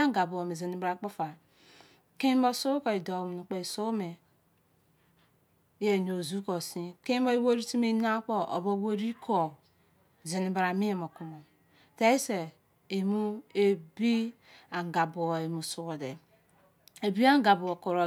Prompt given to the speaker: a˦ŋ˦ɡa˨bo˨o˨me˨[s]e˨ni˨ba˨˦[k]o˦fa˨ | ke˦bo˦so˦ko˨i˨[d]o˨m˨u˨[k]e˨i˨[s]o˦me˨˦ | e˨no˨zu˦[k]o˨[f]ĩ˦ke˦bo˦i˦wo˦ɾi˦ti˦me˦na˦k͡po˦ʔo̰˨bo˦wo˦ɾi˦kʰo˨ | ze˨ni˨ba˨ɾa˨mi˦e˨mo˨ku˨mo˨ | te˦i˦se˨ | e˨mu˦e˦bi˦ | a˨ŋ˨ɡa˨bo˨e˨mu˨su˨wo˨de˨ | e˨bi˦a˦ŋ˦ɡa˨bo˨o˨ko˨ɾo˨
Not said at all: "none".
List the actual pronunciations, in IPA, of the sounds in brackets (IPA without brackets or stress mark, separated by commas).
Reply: z, k͡p, d, k͡p, s, k, s